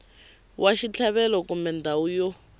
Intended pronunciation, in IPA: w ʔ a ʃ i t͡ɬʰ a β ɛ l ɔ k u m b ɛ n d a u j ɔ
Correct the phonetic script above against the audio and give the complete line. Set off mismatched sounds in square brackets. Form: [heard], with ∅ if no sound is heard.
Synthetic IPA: w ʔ a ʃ i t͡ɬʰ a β ɛ l ɔ k u m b ɛ n d a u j ɔ